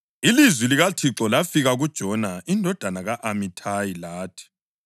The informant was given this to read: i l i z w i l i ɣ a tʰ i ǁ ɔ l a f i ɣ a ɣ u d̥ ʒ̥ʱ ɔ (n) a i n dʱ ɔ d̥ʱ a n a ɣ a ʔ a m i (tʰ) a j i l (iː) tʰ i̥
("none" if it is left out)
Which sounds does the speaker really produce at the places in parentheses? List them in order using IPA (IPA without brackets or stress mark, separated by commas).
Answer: n, tʰ, aː